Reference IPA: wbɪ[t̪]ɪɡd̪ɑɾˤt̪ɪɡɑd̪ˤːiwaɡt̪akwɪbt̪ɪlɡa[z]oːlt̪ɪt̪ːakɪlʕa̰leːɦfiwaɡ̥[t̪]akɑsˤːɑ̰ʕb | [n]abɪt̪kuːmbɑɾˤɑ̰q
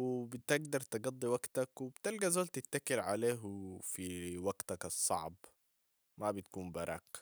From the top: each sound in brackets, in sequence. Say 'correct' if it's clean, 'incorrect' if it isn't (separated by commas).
correct, correct, correct, incorrect